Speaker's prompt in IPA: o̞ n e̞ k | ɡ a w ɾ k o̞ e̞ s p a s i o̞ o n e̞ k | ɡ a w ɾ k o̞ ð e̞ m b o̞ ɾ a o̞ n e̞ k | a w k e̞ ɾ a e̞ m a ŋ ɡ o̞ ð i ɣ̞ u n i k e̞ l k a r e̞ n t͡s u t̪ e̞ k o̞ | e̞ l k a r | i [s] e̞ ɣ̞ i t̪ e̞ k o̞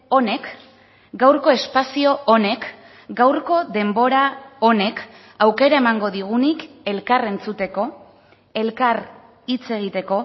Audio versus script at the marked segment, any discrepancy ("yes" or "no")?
yes